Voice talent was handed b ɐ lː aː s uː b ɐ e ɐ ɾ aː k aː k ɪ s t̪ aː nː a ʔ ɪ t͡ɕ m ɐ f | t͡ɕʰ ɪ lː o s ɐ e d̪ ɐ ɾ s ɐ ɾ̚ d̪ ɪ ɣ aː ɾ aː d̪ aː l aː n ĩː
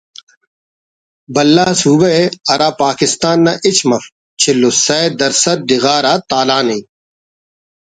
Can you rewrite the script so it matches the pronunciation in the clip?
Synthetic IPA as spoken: b ɐ lː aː s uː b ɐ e ɐ ɾ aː p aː k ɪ s t̪ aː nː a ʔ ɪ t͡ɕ m ɐ f | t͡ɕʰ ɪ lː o s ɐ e d̪ ɐ ɾ s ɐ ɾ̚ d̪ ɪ ɣ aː ɾ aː t̪ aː l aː n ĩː